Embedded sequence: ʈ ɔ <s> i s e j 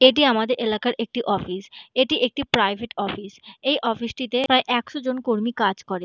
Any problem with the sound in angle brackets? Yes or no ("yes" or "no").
yes